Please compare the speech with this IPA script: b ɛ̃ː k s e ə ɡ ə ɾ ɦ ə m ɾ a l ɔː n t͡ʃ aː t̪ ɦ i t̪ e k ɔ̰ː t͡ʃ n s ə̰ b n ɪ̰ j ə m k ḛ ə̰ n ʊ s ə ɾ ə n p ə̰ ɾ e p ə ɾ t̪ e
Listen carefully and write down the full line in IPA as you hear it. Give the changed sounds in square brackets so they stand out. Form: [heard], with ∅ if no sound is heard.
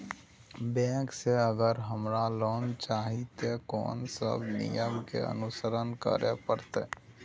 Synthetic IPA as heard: b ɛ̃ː k s e ə ɡ ə ɾ ɦ ə m ɾ a l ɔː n t͡ʃ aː [∅] ɦ i t̪ e k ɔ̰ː [∅] n s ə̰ b n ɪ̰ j ə m k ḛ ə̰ n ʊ s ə ɾ ə n [k] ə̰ ɾ e p ə ɾ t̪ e